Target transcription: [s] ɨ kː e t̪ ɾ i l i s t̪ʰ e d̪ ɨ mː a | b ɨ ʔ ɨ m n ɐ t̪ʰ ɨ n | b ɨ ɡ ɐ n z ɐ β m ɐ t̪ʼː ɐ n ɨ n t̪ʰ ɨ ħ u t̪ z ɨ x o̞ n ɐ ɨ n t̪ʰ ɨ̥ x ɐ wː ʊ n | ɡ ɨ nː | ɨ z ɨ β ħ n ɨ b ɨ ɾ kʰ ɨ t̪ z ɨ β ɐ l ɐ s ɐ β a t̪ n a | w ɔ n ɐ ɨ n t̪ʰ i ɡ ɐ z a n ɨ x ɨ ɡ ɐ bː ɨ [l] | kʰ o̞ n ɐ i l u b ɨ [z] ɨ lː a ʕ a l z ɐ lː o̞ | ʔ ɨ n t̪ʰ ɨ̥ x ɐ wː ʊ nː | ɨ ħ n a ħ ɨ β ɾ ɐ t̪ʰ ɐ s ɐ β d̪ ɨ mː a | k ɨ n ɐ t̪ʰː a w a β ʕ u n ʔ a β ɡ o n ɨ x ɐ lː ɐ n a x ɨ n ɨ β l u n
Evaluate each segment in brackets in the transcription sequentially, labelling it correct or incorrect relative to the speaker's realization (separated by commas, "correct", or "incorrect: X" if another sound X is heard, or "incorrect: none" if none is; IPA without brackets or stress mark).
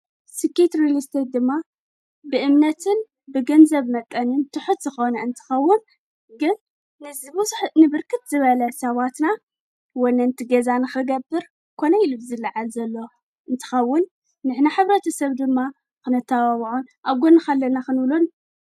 correct, incorrect: ɾ, correct